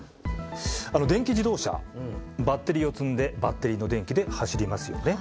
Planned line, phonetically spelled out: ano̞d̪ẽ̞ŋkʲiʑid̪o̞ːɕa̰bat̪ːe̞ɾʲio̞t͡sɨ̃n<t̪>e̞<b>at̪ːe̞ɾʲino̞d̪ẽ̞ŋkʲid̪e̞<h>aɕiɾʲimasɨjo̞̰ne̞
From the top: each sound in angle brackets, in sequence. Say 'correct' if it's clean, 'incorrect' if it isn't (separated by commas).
incorrect, correct, correct